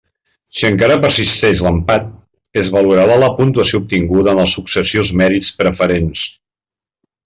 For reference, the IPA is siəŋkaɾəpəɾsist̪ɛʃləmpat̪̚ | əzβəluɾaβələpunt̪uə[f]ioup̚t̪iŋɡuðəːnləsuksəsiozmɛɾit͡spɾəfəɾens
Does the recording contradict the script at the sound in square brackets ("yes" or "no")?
yes